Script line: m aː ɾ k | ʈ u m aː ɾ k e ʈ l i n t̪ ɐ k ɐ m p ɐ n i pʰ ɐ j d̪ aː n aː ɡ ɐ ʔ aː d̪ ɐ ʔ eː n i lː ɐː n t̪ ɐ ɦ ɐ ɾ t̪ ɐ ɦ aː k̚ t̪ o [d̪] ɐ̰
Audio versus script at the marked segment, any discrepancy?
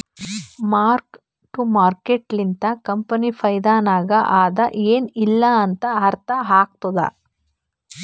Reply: no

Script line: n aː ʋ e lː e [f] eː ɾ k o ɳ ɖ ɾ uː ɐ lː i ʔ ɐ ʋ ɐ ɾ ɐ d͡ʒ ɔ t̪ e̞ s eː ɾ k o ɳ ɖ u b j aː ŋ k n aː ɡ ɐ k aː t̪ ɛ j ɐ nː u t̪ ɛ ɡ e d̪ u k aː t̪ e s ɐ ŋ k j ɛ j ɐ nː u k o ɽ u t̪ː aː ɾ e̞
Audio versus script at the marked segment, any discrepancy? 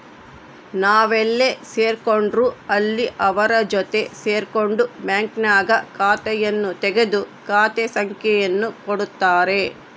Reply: yes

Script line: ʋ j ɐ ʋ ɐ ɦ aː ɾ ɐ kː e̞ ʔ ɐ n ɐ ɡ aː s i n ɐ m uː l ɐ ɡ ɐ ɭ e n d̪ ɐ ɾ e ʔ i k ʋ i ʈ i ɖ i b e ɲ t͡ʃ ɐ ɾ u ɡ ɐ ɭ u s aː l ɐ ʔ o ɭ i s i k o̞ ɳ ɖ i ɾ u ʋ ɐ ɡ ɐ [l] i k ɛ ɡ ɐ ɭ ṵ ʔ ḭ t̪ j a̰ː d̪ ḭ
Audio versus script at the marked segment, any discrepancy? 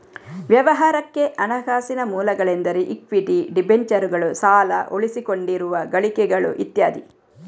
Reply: yes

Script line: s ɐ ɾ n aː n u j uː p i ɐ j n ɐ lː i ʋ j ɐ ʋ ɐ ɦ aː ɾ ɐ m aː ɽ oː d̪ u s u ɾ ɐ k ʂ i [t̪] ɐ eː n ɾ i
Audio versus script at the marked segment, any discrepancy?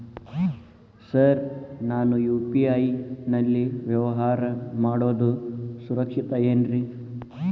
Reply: no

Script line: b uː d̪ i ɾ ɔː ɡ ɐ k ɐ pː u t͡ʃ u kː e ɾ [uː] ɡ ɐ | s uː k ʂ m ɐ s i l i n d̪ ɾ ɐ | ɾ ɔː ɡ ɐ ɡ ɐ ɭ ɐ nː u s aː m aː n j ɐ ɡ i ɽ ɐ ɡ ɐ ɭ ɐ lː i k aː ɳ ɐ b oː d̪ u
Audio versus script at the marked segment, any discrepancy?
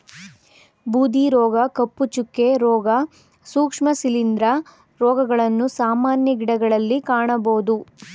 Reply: yes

